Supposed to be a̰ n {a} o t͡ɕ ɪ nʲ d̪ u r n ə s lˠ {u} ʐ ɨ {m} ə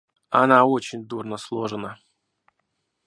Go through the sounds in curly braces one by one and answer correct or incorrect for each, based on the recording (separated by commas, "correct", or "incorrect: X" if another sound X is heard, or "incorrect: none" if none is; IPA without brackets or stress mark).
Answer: correct, incorrect: o, incorrect: n